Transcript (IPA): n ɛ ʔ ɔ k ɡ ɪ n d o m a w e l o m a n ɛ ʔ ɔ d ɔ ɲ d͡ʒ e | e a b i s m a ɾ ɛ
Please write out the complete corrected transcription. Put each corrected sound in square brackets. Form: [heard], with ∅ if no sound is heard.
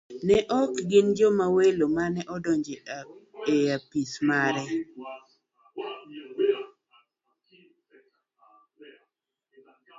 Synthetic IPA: n ɛ ʔ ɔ k ɡ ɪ n [d͡ʒ] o m a w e l o m a n ɛ ʔ ɔ d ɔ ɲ d͡ʒ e | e a [p] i s m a ɾ ɛ